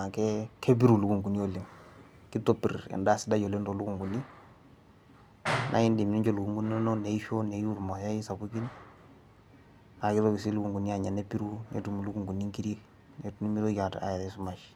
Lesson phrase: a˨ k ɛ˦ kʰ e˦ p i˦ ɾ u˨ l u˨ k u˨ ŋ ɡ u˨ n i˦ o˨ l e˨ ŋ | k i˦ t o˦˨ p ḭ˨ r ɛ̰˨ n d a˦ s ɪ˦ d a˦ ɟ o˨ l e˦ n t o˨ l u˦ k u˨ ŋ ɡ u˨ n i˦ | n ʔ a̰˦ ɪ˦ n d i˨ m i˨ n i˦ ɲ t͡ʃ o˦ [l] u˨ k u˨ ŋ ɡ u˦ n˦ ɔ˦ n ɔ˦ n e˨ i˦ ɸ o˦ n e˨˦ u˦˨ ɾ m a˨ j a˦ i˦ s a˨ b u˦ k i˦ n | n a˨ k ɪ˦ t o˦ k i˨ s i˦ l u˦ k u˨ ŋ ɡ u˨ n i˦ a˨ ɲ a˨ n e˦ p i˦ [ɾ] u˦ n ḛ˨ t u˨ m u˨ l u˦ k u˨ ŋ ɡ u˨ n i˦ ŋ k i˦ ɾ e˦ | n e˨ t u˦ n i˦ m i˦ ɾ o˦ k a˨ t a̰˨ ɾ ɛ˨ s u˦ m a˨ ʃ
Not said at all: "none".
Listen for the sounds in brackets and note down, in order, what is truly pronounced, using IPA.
l, ɾ

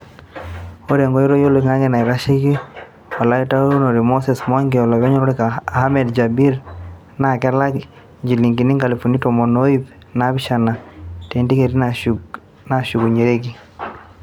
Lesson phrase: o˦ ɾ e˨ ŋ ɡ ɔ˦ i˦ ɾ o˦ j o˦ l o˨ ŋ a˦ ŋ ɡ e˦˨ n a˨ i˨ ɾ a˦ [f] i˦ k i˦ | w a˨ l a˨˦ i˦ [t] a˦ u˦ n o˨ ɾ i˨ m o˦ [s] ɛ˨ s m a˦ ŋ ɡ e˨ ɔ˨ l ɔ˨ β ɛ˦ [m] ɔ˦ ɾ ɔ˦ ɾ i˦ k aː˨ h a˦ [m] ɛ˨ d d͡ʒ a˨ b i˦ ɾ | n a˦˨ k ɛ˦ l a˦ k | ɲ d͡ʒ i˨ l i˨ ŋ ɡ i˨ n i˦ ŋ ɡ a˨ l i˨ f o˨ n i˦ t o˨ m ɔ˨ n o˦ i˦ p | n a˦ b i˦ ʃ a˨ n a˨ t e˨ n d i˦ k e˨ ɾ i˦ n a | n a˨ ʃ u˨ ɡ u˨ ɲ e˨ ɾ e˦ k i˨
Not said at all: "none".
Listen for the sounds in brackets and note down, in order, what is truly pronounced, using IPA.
ʃ, t, s, ɲ, m

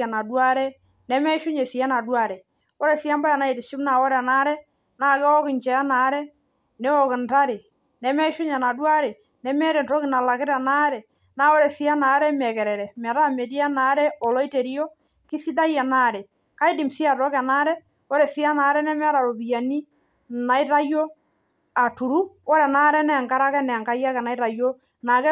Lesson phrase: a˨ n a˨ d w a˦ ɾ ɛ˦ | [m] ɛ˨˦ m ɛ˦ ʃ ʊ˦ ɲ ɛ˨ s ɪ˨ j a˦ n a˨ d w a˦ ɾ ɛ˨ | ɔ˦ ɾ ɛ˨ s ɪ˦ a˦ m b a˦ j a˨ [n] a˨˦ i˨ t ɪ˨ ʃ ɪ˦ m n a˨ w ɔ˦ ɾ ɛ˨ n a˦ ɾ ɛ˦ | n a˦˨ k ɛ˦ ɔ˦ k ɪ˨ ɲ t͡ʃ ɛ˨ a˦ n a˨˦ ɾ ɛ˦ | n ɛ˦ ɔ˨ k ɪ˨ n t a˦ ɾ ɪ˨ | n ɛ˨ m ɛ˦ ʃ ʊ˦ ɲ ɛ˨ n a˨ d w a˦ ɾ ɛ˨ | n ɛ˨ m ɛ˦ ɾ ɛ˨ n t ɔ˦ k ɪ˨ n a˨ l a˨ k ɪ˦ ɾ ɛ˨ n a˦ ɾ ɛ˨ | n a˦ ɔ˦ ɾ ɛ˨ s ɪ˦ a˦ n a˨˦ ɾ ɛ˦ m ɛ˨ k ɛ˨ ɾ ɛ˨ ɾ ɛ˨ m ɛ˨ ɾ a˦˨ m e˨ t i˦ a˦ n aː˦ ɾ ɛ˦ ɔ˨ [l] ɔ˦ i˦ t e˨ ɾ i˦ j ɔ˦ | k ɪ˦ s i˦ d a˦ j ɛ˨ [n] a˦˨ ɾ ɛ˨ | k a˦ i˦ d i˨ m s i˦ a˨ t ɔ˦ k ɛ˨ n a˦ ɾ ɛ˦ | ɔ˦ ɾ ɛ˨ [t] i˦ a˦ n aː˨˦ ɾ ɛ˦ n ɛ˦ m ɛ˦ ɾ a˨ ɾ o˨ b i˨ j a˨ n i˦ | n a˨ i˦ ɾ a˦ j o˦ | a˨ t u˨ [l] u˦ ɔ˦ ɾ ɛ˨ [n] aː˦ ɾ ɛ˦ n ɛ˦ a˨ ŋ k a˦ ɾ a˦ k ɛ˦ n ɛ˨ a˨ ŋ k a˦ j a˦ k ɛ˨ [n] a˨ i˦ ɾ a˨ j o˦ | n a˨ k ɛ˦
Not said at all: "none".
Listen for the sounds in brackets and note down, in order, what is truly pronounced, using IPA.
n, n, l, n, s, ɾ, n, n

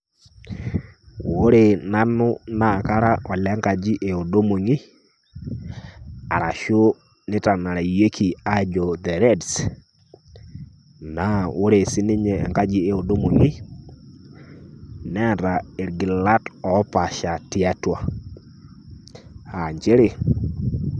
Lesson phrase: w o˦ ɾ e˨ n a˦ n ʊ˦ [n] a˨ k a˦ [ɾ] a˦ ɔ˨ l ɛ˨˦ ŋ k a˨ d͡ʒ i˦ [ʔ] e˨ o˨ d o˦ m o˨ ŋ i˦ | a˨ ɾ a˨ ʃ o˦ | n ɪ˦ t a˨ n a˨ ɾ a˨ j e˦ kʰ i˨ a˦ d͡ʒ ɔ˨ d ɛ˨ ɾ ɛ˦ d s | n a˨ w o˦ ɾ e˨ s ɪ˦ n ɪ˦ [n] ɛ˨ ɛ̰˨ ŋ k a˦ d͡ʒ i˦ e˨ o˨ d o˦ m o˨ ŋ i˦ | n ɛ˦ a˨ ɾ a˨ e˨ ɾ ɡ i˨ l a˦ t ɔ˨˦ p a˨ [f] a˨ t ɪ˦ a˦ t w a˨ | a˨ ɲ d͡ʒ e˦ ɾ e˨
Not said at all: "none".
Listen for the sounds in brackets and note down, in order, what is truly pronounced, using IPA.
n, ɾ, ʔ, ɲ, ʃ

